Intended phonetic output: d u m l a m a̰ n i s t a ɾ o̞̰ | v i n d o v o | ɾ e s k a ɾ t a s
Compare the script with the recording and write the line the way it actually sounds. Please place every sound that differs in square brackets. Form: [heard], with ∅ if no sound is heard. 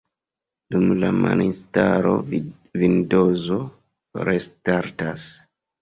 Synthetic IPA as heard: d u m l a m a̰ n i s t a ɾ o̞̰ | v i n d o [z] o | ɾ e s [t] a ɾ t a s

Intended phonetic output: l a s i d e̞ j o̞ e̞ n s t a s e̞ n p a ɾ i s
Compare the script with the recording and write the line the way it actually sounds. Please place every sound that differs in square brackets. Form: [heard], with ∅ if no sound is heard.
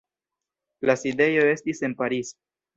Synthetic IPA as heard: l a s i d e̞ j o̞ e̞ [∅] s t [i] s e̞ n p a ɾ i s

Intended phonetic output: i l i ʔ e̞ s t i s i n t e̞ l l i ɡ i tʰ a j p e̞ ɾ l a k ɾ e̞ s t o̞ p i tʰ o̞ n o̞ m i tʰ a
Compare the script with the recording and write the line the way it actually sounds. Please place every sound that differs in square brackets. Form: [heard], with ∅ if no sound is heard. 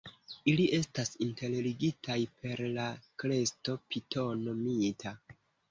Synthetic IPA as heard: i l i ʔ e̞ s t [a] s i n t e̞ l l i ɡ i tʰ a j p e̞ ɾ l a k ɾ e̞ s t o̞ p i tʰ o̞ n o̞ m i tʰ a

